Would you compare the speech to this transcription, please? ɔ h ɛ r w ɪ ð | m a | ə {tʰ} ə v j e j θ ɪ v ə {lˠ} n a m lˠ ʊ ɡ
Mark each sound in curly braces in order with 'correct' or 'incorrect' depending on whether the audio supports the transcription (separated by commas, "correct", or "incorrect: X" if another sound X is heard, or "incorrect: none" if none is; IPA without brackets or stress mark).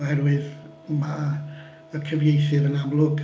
incorrect: kʰ, incorrect: none